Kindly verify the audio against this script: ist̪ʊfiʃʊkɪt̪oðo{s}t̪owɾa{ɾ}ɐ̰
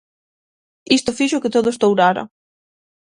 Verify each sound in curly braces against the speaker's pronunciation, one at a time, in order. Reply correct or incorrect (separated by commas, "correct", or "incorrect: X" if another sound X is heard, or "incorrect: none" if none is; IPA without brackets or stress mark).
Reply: correct, correct